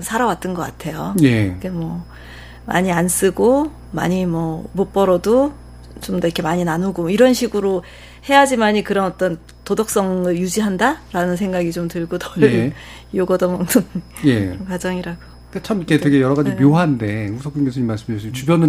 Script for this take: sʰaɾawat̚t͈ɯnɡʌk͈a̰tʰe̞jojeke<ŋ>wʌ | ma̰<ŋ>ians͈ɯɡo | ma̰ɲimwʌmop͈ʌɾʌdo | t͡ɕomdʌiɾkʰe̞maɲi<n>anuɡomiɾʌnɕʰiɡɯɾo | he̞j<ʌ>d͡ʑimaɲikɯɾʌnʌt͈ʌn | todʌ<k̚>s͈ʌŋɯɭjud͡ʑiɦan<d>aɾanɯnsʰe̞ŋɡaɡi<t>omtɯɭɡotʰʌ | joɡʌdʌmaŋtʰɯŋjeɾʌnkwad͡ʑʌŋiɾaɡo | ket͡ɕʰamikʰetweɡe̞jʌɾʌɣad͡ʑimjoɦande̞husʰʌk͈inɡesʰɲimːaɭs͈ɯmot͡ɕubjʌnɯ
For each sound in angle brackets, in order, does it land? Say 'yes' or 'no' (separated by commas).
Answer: no, no, yes, no, yes, yes, no